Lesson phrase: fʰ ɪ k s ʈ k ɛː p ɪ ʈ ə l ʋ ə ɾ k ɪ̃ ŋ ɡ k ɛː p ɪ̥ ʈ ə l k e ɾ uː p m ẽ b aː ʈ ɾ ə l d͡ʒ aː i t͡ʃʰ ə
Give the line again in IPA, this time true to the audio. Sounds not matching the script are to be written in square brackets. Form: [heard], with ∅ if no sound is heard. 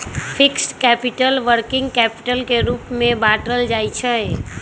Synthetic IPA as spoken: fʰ ɪ k s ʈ k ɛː p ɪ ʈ ə l ʋ ə ɾ k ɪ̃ ŋ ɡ k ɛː p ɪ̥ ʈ ə l k e ɾ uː p m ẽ b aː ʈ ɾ ə l d͡ʒ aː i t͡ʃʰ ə

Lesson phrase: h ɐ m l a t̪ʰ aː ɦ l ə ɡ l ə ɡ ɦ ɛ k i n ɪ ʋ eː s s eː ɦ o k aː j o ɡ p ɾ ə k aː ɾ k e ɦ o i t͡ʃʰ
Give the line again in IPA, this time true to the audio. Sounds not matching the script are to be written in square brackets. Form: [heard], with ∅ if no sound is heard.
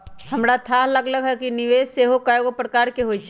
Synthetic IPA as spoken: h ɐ m [ɾ] a t̪ʰ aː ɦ l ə ɡ l ə ɡ ɦ ɛ k i n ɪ ʋ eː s s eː ɦ o k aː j o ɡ p ɾ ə k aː ɾ k e ɦ o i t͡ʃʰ

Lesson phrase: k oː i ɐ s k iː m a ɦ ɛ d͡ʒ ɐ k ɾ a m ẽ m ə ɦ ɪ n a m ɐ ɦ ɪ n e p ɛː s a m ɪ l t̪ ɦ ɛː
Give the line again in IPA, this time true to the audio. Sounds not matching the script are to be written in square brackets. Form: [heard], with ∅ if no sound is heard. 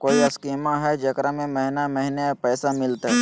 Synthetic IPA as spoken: k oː i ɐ s k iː m a ɦ ɛ d͡ʒ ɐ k ɾ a m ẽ m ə ɦ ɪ n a m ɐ ɦ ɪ n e p ɛː s a m ɪ l t̪ ɦ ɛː

